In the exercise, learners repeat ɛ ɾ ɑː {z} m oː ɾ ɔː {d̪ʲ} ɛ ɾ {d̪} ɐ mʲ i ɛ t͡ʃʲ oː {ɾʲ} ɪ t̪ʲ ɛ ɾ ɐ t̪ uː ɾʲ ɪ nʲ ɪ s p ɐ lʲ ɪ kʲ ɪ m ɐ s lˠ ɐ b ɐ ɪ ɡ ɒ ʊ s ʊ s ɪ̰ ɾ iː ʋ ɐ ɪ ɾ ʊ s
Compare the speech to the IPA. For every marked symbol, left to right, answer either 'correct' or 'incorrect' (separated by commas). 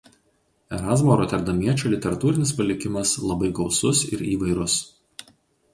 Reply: correct, incorrect, correct, incorrect